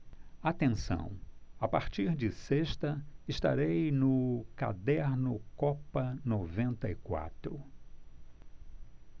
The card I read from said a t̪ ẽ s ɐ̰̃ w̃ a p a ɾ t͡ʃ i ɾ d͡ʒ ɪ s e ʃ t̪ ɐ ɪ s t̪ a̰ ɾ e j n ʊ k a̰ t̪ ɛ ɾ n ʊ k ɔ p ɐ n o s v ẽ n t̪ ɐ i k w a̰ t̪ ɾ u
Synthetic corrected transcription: a t̪ ẽ s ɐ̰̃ w̃ a p a ɾ t͡ʃ i ɾ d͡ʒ ɪ s e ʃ t̪ ɐ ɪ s t̪ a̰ ɾ e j n ʊ k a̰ d̪ ɛ ɾ n ʊ k ɔ p ɐ n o v ẽ n t̪ ɐ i k w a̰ t̪ ɾ ʊ